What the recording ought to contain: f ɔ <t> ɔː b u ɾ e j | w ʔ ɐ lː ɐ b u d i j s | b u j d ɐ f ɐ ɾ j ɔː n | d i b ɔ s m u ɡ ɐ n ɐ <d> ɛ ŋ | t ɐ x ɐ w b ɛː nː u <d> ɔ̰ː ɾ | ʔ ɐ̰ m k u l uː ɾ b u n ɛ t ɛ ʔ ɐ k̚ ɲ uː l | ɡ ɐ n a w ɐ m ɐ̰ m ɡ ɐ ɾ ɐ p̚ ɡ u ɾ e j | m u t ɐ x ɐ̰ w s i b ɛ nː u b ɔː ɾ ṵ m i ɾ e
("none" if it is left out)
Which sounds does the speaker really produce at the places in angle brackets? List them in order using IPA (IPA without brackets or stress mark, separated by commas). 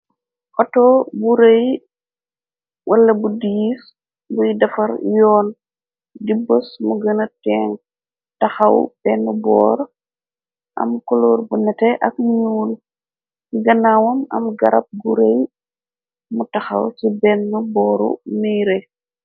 t, t, b